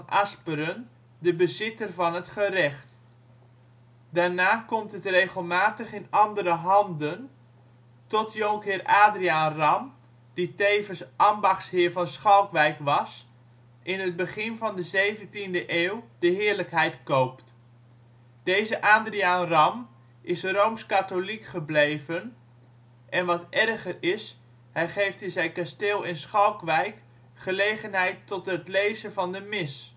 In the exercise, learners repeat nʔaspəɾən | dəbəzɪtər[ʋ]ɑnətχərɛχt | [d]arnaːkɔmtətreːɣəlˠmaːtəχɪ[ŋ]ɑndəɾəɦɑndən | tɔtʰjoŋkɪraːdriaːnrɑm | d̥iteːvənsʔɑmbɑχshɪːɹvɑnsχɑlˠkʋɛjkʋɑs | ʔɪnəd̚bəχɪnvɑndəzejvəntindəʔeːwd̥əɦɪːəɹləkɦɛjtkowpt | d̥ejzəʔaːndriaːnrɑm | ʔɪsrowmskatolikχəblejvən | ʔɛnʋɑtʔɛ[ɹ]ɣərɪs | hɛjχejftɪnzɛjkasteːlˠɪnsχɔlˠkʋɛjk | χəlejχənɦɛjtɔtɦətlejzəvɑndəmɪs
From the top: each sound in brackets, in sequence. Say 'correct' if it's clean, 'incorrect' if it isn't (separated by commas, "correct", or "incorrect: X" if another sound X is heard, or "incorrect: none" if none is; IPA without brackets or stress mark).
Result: incorrect: v, correct, incorrect: n, incorrect: r